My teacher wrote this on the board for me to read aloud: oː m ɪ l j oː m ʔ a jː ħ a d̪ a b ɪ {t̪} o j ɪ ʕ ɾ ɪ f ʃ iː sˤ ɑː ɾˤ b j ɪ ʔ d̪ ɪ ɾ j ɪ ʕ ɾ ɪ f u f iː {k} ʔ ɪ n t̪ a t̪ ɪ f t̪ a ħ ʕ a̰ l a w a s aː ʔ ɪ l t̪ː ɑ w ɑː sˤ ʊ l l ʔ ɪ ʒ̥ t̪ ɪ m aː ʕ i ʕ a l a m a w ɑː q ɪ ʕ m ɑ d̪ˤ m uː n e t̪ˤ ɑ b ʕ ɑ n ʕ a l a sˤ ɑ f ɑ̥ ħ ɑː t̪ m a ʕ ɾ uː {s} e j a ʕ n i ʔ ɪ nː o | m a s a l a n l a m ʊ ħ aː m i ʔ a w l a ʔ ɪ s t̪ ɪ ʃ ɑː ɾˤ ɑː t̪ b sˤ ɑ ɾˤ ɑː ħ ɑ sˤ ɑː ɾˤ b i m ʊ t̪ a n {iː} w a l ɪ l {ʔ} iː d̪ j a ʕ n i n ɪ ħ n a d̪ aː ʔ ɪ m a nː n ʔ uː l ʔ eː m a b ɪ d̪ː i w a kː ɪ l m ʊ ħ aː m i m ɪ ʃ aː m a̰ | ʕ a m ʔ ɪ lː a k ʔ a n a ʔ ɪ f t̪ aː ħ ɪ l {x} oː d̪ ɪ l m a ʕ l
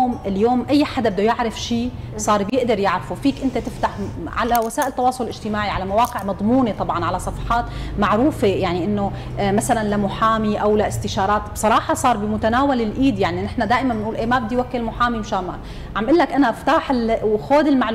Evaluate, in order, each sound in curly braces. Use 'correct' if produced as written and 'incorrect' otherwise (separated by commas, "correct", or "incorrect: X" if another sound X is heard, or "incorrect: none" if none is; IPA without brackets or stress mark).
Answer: incorrect: d̪, correct, incorrect: f, incorrect: aː, correct, correct